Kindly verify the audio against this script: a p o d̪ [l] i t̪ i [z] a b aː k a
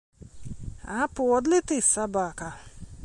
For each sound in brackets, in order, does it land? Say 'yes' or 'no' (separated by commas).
yes, no